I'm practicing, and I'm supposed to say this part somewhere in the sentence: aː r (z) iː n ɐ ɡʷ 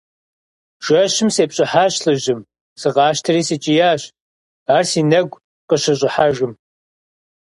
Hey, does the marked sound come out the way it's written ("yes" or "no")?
no